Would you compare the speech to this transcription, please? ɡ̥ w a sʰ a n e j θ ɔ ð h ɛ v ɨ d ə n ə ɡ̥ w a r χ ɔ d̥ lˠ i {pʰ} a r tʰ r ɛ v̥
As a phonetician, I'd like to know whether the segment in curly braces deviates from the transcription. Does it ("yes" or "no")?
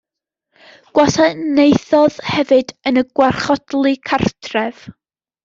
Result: yes